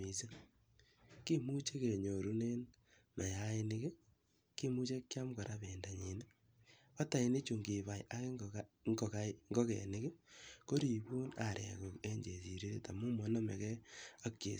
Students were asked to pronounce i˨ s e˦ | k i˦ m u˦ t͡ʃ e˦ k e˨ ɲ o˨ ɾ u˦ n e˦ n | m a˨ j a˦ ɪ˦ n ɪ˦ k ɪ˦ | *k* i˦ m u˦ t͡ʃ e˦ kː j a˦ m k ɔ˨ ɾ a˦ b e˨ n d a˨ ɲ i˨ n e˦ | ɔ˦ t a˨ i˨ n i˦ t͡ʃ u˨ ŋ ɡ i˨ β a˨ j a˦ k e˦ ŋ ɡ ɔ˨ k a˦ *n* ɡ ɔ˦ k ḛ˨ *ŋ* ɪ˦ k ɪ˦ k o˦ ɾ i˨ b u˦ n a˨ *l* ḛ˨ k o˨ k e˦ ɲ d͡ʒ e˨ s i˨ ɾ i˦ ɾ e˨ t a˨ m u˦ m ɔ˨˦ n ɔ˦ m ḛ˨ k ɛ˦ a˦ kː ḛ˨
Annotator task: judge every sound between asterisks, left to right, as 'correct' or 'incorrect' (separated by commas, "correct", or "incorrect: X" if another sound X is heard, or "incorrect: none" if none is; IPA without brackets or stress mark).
correct, incorrect: ŋ, incorrect: n, incorrect: ɾ